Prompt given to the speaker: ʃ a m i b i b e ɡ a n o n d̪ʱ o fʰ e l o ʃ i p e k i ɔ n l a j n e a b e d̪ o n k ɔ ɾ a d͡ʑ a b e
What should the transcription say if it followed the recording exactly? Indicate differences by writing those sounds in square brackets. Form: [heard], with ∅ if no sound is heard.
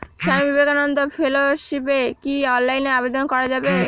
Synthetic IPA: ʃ a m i b i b e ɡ a n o n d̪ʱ o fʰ e l o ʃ i p e k i ɔ n l a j n e a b e d̪ o n k ɔ ɾ a d͡ʑ a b e

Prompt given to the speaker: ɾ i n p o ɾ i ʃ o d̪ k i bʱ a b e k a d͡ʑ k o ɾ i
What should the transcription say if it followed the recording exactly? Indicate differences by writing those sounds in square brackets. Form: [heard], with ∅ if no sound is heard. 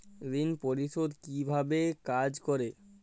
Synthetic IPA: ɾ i n p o ɾ i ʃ o d̪ k i bʱ a b e k a d͡ʑ k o ɾ [e]

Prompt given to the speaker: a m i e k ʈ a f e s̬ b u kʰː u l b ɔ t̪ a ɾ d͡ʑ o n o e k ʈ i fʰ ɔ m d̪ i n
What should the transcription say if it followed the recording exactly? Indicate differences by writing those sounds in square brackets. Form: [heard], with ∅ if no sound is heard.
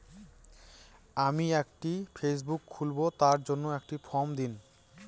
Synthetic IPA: a m i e k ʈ [i] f e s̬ b u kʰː u l b [o] t̪ a ɾ d͡ʑ o [nː] o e k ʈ i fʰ ɔ m d̪ i n

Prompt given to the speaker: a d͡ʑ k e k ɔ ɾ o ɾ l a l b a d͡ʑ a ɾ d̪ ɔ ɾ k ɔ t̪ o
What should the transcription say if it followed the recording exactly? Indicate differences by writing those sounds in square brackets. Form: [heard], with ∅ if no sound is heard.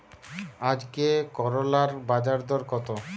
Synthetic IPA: a d͡ʑ k e k ɔ ɾ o [∅] l a [ɾ] b a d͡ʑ a ɾ d̪ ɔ ɾ k ɔ t̪ o

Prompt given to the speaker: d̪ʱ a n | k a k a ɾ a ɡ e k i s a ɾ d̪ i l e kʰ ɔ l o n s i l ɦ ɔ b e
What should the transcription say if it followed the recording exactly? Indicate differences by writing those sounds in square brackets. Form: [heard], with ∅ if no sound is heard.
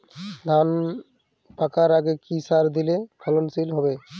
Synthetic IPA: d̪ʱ a n | [p] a k a ɾ a ɡ e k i s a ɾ d̪ i l e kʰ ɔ l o n s i l ɦ ɔ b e

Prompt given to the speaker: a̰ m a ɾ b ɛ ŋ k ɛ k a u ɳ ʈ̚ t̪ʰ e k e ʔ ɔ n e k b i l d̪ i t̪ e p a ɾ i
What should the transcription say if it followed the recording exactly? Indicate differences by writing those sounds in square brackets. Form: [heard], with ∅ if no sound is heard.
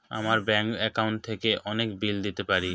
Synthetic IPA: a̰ m a ɾ b ɛ ŋ k ɛ k a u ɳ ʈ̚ t̪ʰ e k e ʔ ɔ n e k b i l d̪ i t̪ e p a ɾ i

